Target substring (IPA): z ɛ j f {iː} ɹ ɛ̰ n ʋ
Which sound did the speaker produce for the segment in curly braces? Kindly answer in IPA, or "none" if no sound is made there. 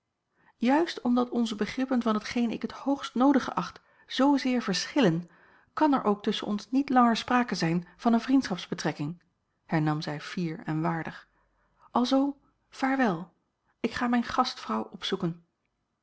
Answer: iː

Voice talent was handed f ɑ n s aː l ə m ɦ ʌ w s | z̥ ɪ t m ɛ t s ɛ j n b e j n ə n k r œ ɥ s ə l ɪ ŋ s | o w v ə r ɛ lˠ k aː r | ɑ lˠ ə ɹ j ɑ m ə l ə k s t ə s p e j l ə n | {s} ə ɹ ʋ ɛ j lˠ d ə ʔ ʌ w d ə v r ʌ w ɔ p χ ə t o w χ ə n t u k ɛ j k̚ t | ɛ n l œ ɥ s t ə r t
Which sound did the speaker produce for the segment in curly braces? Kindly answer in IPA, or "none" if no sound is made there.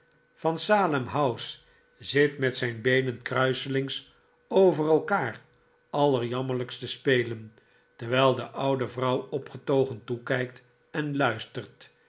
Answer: t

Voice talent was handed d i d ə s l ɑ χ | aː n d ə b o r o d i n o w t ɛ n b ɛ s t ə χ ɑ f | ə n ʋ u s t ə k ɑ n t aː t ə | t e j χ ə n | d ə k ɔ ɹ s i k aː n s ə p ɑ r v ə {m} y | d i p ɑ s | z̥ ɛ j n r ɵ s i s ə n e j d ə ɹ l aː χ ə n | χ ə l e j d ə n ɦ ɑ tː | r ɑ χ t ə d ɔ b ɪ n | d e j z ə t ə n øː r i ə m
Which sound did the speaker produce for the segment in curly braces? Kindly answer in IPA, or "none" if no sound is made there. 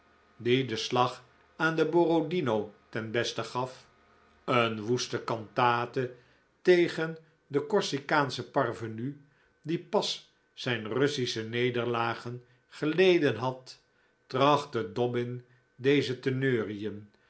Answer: n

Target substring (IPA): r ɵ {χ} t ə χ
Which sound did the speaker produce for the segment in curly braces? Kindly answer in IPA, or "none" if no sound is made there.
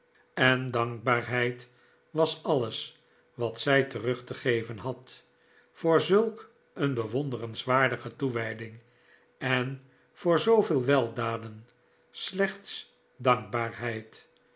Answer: χ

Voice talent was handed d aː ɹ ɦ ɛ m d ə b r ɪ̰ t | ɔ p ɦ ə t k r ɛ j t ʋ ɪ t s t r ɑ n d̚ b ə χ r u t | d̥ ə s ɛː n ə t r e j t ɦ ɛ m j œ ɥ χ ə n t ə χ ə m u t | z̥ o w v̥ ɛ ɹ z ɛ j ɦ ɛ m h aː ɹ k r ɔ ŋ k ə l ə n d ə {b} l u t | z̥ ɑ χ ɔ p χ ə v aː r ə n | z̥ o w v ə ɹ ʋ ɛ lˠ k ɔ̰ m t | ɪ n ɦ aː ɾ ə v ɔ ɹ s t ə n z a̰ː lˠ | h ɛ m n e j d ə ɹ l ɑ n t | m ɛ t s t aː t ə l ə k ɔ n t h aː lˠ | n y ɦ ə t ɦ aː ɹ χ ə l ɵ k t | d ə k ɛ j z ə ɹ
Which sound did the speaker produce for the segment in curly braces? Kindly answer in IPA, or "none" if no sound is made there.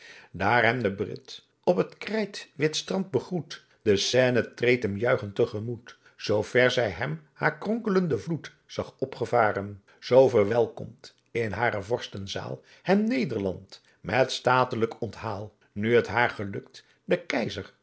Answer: v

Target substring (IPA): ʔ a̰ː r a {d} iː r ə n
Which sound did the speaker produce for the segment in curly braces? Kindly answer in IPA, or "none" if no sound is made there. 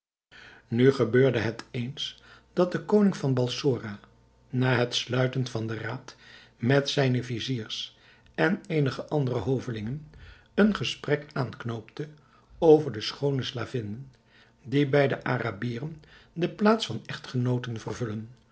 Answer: b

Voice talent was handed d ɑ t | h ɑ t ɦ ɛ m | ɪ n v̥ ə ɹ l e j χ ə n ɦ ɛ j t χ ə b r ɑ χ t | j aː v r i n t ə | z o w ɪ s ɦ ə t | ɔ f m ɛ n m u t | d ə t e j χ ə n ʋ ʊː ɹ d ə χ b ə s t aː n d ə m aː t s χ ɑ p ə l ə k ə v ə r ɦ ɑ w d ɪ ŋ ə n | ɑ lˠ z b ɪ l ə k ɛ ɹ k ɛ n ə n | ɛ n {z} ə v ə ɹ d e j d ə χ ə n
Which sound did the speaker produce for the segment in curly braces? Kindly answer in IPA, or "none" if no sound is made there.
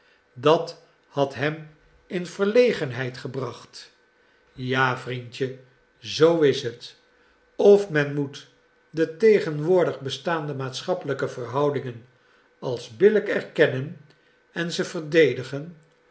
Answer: z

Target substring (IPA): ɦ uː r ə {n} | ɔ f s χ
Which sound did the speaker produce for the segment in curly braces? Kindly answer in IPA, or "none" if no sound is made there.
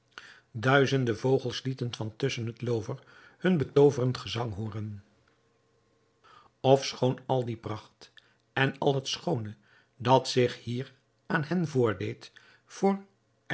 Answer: n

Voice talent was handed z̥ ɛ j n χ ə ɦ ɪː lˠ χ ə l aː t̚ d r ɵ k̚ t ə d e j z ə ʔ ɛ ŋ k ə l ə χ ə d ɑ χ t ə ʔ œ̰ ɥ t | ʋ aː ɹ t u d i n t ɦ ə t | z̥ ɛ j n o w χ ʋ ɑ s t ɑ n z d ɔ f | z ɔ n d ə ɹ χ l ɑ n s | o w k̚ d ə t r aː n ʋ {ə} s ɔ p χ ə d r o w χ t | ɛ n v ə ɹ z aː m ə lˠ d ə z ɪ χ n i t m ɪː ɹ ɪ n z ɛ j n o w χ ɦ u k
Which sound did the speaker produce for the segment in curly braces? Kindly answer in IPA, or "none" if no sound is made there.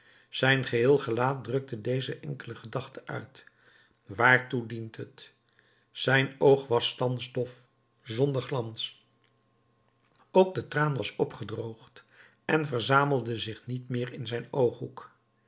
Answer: ɑ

